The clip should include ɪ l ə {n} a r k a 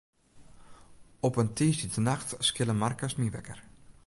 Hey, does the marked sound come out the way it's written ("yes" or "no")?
no